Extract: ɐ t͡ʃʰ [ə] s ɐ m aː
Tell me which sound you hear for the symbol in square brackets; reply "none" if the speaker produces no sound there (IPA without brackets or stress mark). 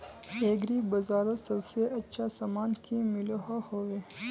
a